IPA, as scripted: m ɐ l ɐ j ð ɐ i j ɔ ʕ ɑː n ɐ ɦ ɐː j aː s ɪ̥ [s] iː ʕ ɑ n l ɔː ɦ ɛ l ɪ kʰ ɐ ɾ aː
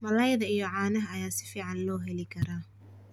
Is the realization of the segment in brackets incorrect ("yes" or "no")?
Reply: yes